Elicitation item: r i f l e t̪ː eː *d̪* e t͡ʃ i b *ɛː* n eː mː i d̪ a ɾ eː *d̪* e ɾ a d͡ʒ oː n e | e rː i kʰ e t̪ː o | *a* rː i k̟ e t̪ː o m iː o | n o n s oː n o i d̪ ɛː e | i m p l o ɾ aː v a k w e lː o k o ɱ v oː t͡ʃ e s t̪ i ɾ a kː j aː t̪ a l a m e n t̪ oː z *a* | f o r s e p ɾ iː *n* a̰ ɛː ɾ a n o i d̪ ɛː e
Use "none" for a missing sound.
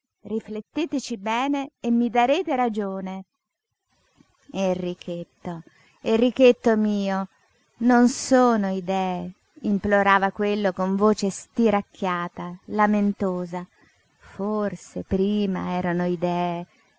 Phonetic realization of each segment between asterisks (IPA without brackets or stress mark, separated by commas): t̪, ɛː, t̪, e, a, m